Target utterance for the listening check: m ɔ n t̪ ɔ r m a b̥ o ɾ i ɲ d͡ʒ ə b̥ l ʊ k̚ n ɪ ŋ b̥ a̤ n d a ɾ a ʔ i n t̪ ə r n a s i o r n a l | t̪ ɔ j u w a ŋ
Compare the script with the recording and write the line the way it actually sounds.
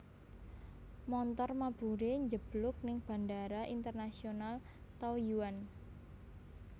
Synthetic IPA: m ɔ n t̪ ɔ r m a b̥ u ɾ e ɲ d͡ʒ ə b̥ l ʊ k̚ n ɪ ŋ b̥ a̤ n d a ɾ a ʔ i n t̪ ə r n a s i o n a l | t̪ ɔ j u w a n